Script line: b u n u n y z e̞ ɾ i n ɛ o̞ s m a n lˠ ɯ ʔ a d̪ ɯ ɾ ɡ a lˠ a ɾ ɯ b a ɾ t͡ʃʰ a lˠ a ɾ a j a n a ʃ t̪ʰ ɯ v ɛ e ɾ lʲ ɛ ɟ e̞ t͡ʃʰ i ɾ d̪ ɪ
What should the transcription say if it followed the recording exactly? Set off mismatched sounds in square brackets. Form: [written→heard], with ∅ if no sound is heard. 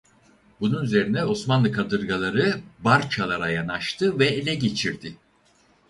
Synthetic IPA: b u n u n y z e̞ ɾ i n ɛ o̞ s m a n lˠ ɯ [ʔ→k] a d̪ ɯ ɾ ɡ a lˠ a ɾ ɯ b a ɾ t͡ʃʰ a lˠ a ɾ a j a n a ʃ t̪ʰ ɯ v ɛ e [ɾ→∅] lʲ ɛ ɟ e̞ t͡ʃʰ i ɾ d̪ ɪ